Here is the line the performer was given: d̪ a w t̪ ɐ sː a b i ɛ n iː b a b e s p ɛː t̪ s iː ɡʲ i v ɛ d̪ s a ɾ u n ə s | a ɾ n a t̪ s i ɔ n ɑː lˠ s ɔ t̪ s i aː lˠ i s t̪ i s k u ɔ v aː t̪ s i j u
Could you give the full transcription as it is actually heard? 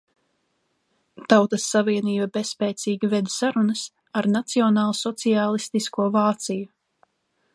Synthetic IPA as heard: t̪ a w t̪ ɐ sː a v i ɛ n iː b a b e s p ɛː t̪ s iː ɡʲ i v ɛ d̪ s a ɾ u n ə s | a ɾ n a t̪ s i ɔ n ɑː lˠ s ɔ t̪ s i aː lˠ i s t̪ i s k u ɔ v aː t̪ s i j u